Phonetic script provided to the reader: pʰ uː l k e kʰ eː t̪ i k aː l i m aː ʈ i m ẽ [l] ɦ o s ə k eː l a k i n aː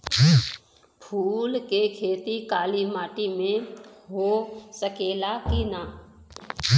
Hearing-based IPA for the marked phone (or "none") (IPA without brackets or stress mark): none